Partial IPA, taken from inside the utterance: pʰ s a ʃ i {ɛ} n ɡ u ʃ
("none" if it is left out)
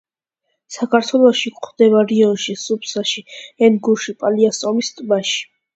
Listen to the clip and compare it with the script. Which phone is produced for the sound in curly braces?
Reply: ɛ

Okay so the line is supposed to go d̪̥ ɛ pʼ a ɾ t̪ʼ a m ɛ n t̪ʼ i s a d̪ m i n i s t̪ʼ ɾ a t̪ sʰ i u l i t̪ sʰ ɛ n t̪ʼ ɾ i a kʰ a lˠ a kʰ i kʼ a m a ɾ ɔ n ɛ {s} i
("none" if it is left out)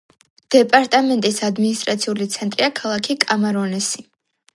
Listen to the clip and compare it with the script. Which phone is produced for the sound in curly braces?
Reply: s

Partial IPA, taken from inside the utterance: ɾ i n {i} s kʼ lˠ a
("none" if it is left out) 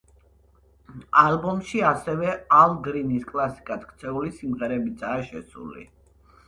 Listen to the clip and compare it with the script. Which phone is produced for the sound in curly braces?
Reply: i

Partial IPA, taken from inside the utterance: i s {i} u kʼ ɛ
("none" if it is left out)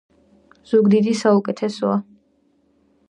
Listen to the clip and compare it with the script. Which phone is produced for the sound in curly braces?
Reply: a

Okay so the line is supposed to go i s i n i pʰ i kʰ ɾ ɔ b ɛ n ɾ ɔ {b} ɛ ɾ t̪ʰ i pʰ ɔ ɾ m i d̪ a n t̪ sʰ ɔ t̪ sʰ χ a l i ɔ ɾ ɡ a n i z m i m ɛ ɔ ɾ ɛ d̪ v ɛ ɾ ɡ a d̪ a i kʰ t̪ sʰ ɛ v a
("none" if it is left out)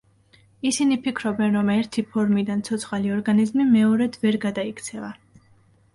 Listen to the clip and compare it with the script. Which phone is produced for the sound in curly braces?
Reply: m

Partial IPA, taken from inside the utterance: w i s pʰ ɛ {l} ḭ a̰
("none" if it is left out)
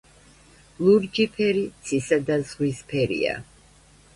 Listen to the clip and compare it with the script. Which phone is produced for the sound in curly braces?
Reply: ɾ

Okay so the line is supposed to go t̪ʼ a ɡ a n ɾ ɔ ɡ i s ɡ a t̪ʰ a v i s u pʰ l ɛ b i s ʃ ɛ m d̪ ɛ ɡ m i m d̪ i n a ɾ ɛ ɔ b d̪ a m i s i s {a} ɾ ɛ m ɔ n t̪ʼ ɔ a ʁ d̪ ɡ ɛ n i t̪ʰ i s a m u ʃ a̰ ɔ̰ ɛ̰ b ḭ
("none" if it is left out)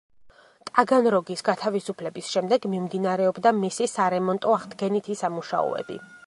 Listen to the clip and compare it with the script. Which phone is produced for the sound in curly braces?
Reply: a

